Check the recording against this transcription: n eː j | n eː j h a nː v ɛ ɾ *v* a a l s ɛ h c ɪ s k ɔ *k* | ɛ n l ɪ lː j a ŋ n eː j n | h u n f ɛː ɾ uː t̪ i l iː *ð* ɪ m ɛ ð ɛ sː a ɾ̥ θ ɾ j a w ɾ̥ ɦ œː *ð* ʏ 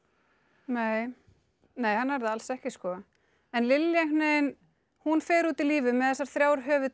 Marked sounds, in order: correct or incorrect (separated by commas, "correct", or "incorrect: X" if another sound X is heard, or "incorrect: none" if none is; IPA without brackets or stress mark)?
incorrect: ð, incorrect: none, incorrect: v, incorrect: v